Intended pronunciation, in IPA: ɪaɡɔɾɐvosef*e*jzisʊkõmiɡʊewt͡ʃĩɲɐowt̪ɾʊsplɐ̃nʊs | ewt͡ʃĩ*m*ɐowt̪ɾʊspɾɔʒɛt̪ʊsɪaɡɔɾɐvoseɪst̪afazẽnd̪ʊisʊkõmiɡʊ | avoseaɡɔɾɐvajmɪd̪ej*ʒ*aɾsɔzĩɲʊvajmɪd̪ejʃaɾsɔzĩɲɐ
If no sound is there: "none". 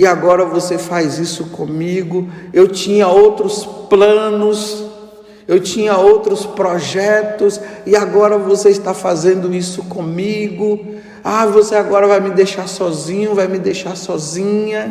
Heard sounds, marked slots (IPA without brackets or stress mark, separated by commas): a, ɲ, ʃ